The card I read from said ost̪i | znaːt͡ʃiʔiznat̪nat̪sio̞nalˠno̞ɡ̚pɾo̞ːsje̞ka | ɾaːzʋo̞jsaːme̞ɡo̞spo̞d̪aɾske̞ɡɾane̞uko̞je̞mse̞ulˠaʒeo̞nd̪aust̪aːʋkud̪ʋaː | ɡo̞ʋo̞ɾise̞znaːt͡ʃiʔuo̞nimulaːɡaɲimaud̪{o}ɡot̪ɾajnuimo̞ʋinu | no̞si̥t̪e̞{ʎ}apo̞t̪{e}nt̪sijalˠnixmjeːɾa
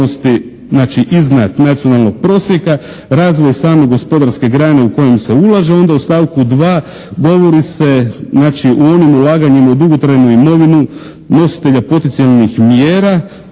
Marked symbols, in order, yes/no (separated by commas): no, yes, yes